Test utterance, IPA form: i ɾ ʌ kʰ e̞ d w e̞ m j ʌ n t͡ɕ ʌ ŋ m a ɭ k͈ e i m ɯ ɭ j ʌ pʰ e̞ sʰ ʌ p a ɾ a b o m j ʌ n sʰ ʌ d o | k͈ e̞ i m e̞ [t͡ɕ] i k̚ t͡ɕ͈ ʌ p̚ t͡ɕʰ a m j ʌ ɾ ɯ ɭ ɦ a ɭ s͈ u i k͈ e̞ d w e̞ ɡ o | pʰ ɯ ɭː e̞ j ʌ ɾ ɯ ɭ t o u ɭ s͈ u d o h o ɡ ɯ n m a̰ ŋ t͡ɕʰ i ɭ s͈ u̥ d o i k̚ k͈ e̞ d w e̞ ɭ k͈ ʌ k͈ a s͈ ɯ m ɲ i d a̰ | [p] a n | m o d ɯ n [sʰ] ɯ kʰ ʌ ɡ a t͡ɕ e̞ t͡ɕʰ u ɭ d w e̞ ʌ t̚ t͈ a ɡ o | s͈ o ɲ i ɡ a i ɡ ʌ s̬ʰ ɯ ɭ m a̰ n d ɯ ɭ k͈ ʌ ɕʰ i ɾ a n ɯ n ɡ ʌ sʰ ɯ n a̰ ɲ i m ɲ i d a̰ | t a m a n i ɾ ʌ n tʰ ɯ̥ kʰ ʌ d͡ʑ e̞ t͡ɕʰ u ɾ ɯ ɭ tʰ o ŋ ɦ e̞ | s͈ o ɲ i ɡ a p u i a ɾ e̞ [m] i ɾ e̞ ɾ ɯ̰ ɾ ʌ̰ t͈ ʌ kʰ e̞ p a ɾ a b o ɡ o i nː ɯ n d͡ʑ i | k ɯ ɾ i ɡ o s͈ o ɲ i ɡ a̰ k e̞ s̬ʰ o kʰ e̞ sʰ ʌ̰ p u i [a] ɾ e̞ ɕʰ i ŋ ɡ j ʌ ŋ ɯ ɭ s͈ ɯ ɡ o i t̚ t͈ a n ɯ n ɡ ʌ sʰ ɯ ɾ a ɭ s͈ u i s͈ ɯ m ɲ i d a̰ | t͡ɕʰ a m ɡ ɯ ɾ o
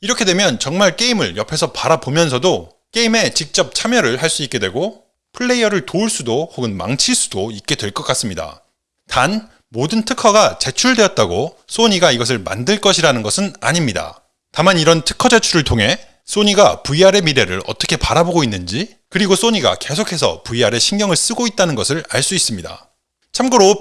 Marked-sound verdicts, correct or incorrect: correct, incorrect: t, incorrect: tʰ, correct, correct

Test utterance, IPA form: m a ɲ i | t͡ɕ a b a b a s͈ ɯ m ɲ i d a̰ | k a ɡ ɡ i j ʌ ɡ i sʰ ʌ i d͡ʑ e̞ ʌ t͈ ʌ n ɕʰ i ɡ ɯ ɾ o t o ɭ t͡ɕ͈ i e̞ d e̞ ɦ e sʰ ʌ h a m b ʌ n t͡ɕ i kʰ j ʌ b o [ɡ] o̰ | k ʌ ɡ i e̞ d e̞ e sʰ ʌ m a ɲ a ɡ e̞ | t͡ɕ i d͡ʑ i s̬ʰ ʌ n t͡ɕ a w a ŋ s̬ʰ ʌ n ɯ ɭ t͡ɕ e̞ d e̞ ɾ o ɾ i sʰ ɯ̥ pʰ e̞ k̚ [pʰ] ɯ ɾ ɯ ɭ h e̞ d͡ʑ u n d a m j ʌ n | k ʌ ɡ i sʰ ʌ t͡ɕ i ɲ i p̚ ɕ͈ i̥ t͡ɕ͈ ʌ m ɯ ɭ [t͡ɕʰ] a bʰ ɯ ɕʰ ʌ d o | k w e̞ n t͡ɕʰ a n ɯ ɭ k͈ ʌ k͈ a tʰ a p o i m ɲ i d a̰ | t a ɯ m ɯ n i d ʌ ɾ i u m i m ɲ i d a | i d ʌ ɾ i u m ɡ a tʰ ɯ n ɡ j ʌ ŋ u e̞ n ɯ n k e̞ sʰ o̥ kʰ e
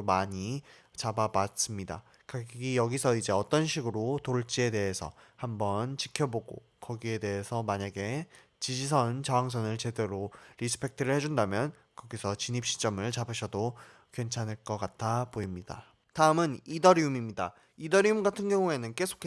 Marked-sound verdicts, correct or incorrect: correct, incorrect: tʰ, incorrect: t͡ɕ

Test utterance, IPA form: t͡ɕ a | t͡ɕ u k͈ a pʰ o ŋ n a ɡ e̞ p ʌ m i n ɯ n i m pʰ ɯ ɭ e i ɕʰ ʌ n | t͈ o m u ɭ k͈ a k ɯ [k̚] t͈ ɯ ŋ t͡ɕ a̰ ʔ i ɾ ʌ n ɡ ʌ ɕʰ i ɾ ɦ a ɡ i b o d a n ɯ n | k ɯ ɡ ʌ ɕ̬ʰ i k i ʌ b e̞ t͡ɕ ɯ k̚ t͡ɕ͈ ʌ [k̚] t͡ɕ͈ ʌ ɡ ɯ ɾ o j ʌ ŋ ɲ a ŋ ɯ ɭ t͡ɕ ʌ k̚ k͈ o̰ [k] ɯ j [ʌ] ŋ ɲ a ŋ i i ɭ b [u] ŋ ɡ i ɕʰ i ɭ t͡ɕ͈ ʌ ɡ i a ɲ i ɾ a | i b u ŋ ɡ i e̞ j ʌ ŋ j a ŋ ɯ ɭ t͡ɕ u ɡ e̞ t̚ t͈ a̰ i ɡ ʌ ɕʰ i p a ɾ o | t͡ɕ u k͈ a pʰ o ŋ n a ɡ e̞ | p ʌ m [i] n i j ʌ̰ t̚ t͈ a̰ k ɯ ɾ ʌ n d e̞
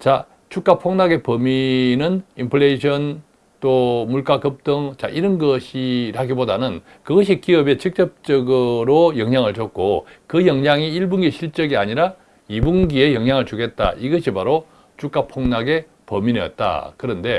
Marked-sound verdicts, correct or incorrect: incorrect: p̚, incorrect: p̚, correct, correct, correct, correct

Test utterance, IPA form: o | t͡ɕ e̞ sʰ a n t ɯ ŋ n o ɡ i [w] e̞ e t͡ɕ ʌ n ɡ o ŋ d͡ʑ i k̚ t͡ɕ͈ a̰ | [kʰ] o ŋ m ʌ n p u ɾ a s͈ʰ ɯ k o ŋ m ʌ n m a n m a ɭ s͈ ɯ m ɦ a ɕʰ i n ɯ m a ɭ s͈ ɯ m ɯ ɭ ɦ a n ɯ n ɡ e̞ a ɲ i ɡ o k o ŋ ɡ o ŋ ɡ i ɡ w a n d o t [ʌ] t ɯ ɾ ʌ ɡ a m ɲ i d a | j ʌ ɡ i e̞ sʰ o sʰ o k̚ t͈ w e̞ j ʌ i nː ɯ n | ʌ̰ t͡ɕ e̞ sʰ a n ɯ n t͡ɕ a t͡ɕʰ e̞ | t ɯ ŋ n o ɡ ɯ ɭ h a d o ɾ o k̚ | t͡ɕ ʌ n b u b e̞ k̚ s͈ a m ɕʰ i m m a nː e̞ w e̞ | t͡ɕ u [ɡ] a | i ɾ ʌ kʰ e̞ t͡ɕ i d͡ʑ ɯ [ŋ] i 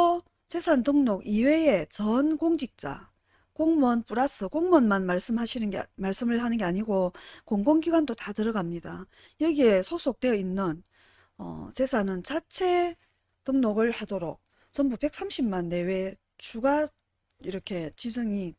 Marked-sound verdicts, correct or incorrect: correct, incorrect: k, incorrect: a, correct, correct

